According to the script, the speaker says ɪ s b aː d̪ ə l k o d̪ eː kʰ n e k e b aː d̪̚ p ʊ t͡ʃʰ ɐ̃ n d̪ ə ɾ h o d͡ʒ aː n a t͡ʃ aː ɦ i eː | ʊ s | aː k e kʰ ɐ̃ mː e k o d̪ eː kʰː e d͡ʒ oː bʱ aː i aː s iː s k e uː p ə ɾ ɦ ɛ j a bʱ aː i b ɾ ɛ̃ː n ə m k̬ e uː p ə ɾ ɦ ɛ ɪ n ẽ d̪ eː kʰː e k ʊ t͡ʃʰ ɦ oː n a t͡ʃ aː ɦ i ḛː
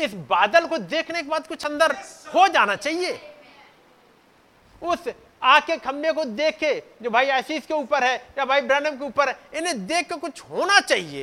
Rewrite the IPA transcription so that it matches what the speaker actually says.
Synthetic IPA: ɪ s b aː d̪ ə l k o d̪ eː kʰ n e k e b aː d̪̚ k ʊ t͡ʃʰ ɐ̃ n d̪ ə ɾ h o d͡ʒ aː n a t͡ʃ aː ɦ i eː | ʊ s | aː k e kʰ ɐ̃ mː e k o d̪ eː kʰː e d͡ʒ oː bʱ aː i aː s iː s k e uː p ə ɾ ɦ ɛ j a bʱ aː i b ɾ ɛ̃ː n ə m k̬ e uː p ə ɾ ɦ ɛ ɪ n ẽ d̪ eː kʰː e k ʊ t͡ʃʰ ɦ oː n a t͡ʃ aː ɦ i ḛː